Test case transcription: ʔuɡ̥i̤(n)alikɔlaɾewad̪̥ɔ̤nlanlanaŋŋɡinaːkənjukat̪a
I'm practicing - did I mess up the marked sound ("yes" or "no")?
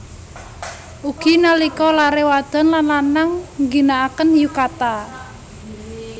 no